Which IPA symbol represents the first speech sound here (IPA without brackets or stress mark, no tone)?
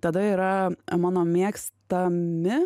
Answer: t̪